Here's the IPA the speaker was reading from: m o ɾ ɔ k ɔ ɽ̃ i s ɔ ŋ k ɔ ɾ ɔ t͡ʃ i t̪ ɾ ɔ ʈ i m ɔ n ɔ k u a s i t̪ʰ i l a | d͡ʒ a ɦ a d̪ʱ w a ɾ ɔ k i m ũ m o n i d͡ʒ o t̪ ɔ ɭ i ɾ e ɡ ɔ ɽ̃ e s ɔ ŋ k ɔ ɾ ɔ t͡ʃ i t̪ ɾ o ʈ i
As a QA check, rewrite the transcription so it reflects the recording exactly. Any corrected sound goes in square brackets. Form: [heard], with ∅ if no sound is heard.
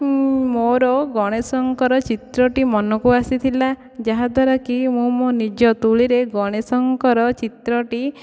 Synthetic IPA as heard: m o ɾ ɔ [ɡ] ɔ ɽ̃ [e] s ɔ ŋ k ɔ ɾ ɔ t͡ʃ i t̪ ɾ ɔ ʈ i m ɔ n ɔ k u a s i t̪ʰ i l a | d͡ʒ a ɦ a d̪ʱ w a ɾ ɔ k i m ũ m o n i d͡ʒ [ɔ] t̪ [u] ɭ i ɾ e ɡ ɔ ɽ̃ e s ɔ ŋ k ɔ ɾ ɔ t͡ʃ i t̪ ɾ [ɔ] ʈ i